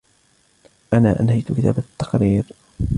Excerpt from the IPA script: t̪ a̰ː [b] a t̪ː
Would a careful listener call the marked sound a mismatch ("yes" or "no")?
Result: no